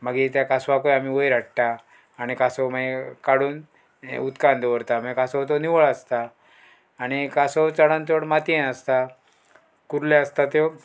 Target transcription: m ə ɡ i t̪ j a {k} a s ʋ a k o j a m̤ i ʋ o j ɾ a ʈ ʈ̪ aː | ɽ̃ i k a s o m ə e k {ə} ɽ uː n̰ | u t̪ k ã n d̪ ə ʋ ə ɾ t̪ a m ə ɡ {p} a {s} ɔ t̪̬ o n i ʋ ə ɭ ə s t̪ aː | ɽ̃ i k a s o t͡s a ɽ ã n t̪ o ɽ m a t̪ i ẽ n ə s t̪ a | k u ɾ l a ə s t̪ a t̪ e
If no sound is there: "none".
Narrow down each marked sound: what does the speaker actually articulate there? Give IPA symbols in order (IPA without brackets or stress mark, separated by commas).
k, a, k, s